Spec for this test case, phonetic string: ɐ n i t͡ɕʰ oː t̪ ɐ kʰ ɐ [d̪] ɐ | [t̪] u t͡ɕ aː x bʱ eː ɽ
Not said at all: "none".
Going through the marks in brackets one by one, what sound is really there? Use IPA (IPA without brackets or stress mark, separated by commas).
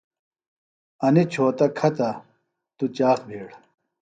t̪, t̪